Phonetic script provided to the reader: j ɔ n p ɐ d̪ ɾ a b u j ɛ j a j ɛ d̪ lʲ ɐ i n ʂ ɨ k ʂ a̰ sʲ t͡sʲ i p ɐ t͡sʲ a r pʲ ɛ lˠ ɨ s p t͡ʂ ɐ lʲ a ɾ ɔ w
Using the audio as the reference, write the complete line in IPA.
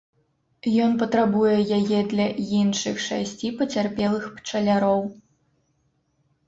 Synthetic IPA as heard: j ɔ n p ɐ t̪ ɾ a b u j ɛ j a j ɛ d̪ lʲ ɐ i n ʂ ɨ x ʂ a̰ sʲ t͡sʲ i p ɐ t͡sʲ a r pʲ ɛ lˠ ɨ x p t͡ʂ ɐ lʲ a ɾ ɔ w